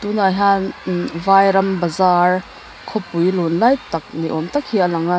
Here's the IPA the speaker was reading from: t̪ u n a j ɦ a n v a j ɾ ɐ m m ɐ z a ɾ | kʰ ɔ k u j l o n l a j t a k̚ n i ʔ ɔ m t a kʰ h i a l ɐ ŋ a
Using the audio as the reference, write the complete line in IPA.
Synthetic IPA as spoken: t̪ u n a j ɦ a n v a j ɾ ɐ m b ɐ z a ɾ | kʰ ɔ p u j l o n l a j t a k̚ n i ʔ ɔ m t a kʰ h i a l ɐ ŋ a

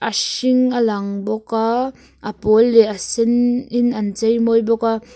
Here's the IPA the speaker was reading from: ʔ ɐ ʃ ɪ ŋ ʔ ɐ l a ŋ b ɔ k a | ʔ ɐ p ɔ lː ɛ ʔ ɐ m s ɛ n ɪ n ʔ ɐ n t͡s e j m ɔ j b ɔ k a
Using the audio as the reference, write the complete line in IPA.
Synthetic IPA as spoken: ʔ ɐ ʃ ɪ ŋ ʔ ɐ l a ŋ b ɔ k a | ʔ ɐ p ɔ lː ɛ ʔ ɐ s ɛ n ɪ n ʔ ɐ n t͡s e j m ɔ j b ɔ k a

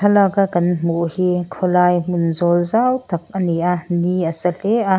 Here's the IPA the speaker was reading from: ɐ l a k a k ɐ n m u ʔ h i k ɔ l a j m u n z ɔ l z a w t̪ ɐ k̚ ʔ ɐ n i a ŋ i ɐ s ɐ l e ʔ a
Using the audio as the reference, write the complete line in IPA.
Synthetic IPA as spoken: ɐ l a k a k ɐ n m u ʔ h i kʰ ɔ l a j m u n z ɔ l z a w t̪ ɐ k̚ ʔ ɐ n i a n i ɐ s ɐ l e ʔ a

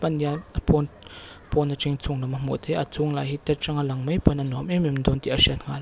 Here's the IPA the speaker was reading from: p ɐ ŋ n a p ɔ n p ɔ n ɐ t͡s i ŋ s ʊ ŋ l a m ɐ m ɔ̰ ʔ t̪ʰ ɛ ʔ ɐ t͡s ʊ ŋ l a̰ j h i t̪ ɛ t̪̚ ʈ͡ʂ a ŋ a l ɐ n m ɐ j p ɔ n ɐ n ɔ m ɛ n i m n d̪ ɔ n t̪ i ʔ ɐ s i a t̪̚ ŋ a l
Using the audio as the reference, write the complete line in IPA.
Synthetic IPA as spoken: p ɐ n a p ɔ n p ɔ n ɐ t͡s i ŋ t͡s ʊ ŋ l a m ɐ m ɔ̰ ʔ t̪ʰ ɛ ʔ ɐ t͡s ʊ ŋ l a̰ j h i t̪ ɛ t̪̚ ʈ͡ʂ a ŋ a l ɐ ŋ m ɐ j p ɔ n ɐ n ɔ m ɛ m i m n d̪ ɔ n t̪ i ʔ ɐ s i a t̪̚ ŋ a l

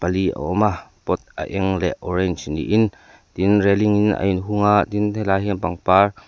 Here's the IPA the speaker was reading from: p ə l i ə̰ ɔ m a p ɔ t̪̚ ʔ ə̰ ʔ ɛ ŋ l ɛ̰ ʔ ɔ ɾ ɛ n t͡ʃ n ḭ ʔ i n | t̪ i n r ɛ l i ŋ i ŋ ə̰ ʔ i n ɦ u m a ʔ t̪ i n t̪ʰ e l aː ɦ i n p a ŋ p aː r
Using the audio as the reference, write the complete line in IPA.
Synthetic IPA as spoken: p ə l i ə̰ ɔ m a p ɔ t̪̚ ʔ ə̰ ʔ ɛ ŋ l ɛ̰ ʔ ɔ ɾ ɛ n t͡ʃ n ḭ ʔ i n | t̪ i n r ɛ l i ŋ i n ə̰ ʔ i n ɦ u ŋ a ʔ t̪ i n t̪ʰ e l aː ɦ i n p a ŋ p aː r

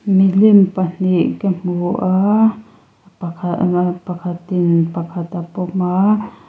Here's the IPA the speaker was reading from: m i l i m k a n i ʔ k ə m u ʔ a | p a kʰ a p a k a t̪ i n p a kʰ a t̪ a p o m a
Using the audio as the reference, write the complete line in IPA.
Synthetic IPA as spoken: m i l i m p a n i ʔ k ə m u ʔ a | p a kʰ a p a k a t̪ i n p a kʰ a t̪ a p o m a

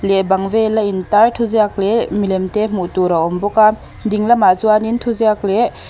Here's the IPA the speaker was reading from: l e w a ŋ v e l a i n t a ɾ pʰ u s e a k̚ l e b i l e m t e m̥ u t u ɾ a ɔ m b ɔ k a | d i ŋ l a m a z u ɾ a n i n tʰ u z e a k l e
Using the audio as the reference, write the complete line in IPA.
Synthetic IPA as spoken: l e b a ŋ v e l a i n t a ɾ tʰ u z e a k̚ l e m i l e m t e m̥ u t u ɾ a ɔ m b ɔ k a | d i ŋ l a m a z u a n i n tʰ u z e a k l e

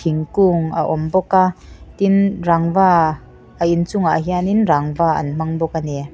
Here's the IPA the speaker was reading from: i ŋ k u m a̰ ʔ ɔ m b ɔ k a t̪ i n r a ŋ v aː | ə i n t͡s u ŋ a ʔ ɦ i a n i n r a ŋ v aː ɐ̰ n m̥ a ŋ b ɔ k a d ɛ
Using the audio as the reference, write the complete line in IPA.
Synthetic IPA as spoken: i ŋ k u ŋ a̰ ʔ ɔ m b ɔ k a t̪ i n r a ŋ v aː | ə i n t͡s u ŋ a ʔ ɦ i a n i n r a ŋ v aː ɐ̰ n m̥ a ŋ b ɔ k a n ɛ

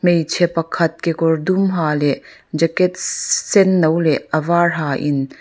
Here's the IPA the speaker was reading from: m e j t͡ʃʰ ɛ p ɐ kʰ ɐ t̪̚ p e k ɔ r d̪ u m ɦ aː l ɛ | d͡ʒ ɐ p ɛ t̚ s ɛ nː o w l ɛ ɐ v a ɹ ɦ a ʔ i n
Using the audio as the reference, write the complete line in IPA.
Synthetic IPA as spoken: m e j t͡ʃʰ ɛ p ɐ kʰ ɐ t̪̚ k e k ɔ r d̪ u m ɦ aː l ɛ | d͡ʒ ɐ k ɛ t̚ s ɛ nː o w l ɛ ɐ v a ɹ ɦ a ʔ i n

